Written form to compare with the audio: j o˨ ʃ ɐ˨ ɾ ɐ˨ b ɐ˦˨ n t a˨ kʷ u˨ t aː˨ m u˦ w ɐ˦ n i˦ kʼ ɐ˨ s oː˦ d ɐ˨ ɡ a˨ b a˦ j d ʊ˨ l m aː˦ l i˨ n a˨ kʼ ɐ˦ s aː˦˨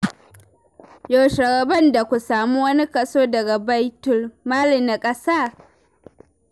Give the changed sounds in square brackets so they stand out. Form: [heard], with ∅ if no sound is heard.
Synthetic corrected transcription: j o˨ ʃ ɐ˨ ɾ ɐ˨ b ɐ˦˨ n [d] a˨ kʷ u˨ [s] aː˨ m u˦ w ɐ˦ n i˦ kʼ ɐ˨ s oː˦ d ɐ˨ ɡ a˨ b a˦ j [t] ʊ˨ l m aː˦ l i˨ n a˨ kʼ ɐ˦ s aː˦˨

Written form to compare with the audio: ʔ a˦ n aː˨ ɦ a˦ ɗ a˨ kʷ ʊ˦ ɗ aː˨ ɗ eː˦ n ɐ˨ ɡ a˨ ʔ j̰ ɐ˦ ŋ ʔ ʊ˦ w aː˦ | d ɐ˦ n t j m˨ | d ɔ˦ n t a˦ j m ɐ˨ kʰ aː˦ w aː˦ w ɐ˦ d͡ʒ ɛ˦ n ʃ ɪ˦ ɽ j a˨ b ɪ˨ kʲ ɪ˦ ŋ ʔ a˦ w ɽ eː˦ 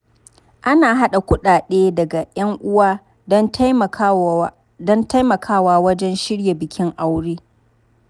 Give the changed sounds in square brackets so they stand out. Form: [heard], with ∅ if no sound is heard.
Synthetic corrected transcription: ʔ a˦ n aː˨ ɦ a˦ ɗ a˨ kʷ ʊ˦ ɗ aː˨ ɗ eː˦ [d] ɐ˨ ɡ a˨ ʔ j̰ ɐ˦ ŋ ʔ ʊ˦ w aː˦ | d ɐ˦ n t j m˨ | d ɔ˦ n t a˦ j m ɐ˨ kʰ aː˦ w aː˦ w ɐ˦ d͡ʒ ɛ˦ n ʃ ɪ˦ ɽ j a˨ b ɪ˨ kʲ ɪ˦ ŋ ʔ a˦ w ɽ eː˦

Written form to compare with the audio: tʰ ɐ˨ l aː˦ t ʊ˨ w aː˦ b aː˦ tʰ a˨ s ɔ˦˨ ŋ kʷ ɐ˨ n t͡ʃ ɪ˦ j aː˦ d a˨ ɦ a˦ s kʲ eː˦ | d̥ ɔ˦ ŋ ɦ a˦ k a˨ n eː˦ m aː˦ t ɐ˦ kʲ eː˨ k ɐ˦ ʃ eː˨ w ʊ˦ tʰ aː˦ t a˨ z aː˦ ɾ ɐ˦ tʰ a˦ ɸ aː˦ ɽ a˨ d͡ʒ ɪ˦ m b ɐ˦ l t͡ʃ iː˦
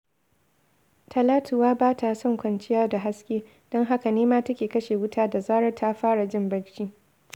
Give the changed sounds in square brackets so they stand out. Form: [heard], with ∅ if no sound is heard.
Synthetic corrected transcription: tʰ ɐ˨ l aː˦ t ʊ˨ w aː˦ b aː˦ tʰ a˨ s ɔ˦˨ ŋ kʷ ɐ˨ n t͡ʃ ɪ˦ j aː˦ d a˨ ɦ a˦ s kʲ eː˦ | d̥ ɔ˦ ŋ ɦ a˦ k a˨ n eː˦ m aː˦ t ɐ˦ kʲ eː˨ k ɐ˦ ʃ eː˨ w ʊ˦ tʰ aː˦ [d] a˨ z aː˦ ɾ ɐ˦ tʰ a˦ ɸ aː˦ ɽ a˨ d͡ʒ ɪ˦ m b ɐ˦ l t͡ʃ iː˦

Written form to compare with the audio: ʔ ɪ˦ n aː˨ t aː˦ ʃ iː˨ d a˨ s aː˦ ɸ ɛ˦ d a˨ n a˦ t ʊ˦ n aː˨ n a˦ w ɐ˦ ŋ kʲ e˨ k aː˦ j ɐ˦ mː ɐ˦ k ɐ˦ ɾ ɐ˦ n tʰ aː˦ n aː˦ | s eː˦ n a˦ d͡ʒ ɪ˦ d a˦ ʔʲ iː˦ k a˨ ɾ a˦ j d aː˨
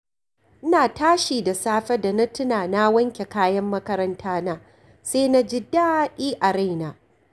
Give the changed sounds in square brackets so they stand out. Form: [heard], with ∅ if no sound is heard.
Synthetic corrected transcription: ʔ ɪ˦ n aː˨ t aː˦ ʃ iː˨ d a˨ s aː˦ ɸ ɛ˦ d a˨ n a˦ t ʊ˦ n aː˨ n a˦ w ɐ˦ ŋ kʲ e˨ k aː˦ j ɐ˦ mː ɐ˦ k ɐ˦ ɾ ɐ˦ n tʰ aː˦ n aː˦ | s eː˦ n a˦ d͡ʒ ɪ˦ d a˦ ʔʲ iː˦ [ʔ] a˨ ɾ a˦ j [n] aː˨

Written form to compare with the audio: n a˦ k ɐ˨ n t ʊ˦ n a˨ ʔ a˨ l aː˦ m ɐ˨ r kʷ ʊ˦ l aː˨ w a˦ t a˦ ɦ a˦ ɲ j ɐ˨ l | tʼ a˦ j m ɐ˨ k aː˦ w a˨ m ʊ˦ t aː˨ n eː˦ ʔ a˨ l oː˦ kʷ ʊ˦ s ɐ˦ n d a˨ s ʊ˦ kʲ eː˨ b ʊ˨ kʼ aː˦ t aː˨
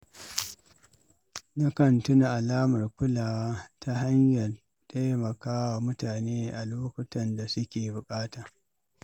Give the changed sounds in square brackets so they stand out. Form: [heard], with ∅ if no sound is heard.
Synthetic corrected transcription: n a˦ k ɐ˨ n t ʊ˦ n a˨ ʔ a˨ l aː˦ m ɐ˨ r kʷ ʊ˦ l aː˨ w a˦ t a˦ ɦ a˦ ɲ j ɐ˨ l | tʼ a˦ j m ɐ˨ k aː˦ w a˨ m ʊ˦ t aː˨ n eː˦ ʔ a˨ l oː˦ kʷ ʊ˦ [t] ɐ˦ n d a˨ s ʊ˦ kʲ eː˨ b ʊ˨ kʼ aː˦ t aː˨

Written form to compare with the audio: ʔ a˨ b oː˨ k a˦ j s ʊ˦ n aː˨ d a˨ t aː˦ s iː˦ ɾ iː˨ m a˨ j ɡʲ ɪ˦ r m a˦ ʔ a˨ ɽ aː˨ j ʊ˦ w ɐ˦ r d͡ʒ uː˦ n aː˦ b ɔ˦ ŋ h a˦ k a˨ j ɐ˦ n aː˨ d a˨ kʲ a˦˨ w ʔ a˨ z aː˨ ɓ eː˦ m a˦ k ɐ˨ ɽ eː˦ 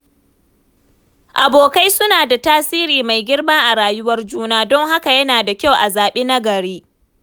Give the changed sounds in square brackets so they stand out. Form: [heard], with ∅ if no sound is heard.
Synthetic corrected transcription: ʔ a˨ b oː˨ k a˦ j s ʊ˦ n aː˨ d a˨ t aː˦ s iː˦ ɾ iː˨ m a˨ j ɡʲ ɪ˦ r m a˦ ʔ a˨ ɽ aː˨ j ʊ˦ w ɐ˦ r d͡ʒ uː˦ n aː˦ [d] ɔ˦ ŋ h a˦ k a˨ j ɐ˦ n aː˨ d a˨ kʲ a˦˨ w ʔ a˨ z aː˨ ɓ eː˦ [n] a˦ [ɡ] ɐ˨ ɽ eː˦

